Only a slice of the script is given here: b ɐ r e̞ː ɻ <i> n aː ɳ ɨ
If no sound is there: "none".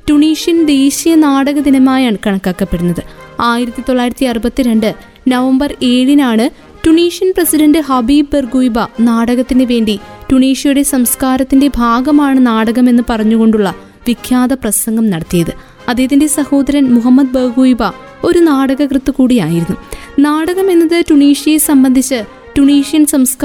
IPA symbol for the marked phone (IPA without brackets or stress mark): i